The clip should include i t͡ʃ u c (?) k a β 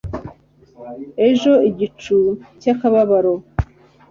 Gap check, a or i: a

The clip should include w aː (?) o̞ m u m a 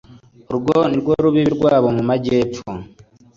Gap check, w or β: β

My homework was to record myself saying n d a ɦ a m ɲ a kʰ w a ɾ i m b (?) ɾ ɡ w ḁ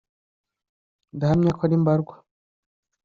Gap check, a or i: a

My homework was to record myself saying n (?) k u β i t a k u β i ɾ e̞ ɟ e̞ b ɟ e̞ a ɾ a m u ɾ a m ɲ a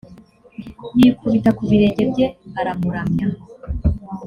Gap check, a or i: i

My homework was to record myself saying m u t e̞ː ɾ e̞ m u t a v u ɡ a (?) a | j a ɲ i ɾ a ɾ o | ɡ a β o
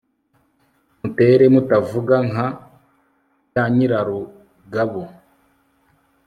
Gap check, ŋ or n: ŋ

